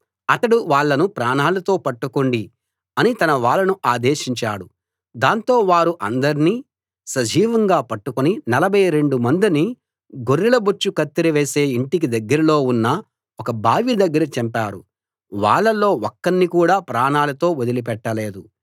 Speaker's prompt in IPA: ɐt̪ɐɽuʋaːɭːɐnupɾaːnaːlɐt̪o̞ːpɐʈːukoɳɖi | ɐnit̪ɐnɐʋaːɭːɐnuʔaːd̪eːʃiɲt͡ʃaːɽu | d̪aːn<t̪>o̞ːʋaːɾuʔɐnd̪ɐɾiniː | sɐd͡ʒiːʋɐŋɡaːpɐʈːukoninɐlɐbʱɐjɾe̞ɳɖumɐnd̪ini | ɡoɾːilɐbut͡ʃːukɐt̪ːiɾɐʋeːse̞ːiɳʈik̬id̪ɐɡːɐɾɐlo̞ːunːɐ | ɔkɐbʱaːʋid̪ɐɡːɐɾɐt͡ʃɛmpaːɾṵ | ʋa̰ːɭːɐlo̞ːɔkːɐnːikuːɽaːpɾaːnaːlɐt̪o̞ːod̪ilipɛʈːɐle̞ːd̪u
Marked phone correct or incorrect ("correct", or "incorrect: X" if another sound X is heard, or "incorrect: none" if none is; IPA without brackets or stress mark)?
correct